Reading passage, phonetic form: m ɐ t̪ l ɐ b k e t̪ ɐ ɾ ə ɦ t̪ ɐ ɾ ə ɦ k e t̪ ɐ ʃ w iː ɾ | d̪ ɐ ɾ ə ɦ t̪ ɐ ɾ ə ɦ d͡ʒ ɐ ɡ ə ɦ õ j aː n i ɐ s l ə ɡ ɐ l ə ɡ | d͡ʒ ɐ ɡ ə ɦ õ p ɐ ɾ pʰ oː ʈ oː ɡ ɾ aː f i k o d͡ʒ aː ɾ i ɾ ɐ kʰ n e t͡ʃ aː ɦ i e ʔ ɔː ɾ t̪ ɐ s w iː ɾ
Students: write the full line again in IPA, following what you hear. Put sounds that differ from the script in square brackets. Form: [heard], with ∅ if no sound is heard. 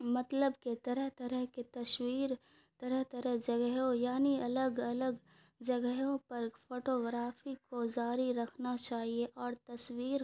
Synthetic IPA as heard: m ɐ t̪ l [ə] b k e t̪ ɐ ɾ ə ɦ t̪ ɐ ɾ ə ɦ k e t̪ ɐ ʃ w iː ɾ | [t̪] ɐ ɾ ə ɦ t̪ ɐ ɾ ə ɦ d͡ʒ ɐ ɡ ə ɦ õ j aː n i ɐ [∅] l ə ɡ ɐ l ə ɡ | d͡ʒ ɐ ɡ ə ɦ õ p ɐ ɾ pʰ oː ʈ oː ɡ ɾ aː f i k o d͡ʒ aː ɾ i ɾ ɐ kʰ n [a] t͡ʃ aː ɦ i e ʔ ɔː ɾ t̪ ɐ s w iː ɾ